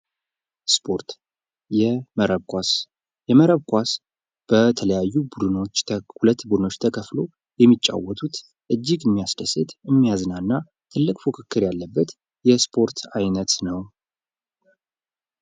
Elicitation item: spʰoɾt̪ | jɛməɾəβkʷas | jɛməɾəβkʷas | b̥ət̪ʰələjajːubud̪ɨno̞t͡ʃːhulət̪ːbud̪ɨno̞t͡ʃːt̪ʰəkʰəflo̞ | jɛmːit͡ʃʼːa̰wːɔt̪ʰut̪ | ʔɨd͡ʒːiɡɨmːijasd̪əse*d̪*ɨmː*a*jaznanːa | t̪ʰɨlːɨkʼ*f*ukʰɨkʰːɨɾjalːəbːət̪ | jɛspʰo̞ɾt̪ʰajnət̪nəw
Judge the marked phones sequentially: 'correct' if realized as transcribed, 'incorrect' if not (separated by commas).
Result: incorrect, incorrect, correct